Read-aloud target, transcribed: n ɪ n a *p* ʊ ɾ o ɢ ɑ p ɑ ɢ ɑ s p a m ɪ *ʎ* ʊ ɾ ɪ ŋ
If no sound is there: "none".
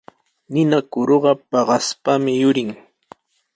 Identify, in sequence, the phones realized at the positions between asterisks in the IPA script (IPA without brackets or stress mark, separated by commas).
k, j